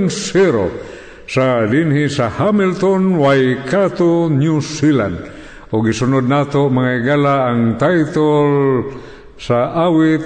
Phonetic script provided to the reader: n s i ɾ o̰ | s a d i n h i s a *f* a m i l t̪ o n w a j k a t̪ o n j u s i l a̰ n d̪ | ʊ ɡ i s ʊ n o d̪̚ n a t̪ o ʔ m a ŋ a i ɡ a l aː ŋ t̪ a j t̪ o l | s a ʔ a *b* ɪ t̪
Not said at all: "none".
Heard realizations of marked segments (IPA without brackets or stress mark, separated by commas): h, w